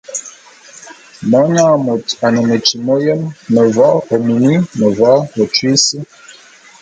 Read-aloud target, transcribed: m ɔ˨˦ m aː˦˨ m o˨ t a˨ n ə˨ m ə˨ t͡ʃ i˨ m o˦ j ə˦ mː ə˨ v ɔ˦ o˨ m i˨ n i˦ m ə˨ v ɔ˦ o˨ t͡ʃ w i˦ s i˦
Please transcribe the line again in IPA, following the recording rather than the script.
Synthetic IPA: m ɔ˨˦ ɲ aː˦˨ m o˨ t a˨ n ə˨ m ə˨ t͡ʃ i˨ m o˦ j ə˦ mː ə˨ v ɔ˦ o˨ m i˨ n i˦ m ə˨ v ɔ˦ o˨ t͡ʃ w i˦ s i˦